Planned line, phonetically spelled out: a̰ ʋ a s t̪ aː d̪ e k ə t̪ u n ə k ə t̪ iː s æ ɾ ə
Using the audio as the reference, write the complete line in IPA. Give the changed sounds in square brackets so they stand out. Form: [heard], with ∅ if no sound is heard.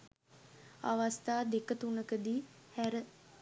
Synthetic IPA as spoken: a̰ ʋ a s t̪ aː d̪ e k ə t̪ u n ə k ə [d̪] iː [h] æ ɾ ə